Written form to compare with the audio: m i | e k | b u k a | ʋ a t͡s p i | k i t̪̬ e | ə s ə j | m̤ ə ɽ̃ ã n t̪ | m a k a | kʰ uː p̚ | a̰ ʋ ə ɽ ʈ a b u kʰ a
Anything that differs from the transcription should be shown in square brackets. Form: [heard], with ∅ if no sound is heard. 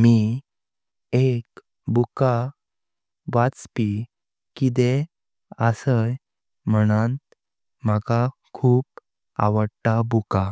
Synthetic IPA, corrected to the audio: m i | e k | b u k a | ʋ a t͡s p i | k i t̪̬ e | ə s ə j | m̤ ə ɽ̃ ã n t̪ | m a k a | kʰ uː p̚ | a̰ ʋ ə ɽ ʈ a b u [k] a